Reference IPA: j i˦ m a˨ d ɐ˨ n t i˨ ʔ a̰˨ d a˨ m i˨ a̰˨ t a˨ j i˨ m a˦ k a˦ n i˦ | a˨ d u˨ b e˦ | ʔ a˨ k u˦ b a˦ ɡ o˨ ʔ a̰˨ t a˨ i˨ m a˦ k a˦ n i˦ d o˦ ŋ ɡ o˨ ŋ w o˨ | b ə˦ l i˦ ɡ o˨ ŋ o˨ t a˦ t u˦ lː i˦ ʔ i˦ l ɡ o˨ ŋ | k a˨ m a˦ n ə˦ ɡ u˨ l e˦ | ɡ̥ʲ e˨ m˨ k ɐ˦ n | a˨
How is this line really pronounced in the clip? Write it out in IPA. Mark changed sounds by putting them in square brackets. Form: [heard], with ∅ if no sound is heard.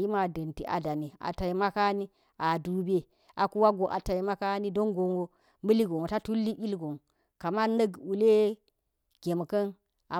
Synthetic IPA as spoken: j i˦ m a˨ d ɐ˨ n t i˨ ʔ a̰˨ d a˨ [n] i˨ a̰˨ t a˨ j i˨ m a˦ k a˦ n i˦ | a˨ d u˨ b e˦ | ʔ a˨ k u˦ [w] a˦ ɡ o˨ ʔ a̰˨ t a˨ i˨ m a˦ k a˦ n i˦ d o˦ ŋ ɡ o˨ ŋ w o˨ | [m] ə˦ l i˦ ɡ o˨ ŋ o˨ t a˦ t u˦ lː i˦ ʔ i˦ l ɡ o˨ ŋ | k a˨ m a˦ n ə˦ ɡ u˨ l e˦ | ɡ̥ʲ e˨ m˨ k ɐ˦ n | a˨